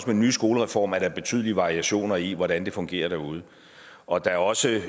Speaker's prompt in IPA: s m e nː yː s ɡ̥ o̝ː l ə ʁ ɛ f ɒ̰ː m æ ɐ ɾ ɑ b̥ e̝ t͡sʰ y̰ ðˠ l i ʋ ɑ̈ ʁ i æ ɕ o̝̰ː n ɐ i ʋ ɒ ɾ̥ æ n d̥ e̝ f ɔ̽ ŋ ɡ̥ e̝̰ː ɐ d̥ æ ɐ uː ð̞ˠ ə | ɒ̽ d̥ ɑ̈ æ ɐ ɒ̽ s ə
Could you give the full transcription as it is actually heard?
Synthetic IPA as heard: s m e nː yː s ɡ̥ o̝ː l ə ʁ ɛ f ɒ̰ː m æ ɐ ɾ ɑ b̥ e̝ t͡sʰ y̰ ðˠ l i ʋ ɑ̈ ʁ i æ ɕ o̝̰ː n ɐ i ʋ ɒ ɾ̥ æ n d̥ e̝ f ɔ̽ ŋ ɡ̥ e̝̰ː ɐ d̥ æ ɐ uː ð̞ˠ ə | ɒ̽ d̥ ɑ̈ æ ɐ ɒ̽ s ə